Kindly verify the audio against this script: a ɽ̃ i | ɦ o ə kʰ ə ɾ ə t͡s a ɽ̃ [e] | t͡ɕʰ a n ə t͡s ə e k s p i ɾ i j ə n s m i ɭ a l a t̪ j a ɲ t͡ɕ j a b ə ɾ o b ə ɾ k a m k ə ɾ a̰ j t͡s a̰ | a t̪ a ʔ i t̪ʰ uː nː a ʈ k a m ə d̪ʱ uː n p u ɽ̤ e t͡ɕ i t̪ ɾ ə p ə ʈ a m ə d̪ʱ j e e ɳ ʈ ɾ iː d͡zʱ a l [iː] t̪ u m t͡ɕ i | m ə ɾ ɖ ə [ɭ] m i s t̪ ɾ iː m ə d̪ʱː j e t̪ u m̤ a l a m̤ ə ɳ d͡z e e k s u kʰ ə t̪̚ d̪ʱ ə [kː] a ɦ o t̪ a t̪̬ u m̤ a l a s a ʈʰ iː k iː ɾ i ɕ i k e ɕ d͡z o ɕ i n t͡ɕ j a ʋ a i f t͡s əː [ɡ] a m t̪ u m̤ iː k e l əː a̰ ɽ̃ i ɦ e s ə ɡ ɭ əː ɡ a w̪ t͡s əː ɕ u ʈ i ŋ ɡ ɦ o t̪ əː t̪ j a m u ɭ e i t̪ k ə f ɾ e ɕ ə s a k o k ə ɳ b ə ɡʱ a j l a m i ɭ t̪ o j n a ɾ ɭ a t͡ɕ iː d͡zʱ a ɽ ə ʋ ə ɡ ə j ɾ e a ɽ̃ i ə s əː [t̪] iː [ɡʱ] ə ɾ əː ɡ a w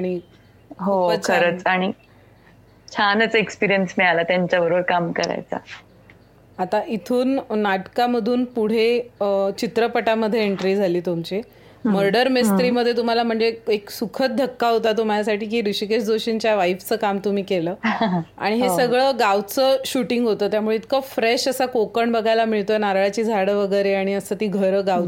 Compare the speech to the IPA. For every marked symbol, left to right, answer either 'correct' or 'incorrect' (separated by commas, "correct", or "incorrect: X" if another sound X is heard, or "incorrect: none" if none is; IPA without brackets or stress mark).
incorrect: i, correct, incorrect: ɾ, correct, incorrect: k, correct, correct